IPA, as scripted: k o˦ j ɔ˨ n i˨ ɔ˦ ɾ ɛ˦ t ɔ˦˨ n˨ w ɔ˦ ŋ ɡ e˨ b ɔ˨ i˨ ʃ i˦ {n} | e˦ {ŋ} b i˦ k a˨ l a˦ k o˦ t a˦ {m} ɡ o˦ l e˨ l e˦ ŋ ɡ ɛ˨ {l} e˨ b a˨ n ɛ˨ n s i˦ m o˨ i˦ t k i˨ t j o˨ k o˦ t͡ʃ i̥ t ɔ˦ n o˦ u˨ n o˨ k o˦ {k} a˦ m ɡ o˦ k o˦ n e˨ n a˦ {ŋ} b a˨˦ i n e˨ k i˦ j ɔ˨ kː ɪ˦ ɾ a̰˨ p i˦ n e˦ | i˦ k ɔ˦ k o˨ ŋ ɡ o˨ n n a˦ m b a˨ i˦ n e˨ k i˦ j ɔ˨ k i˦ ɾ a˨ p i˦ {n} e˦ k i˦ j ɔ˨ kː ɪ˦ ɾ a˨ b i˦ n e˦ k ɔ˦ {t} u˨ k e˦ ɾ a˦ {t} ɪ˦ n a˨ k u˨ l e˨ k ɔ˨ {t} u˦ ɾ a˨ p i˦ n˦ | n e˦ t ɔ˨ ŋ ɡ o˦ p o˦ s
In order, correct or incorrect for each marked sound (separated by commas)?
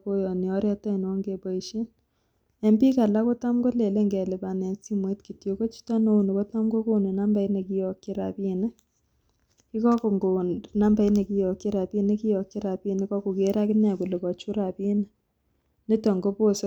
correct, incorrect, correct, correct, incorrect, incorrect, correct, incorrect, incorrect, incorrect